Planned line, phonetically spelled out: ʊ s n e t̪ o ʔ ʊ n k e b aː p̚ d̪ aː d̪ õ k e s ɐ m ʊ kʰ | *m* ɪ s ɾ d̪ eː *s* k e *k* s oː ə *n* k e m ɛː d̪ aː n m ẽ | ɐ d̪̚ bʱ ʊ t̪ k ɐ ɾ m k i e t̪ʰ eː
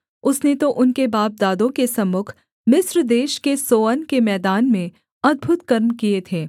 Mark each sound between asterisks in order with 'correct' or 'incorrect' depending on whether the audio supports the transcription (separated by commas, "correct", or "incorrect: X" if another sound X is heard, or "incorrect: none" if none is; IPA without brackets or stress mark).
correct, incorrect: ʃ, incorrect: none, correct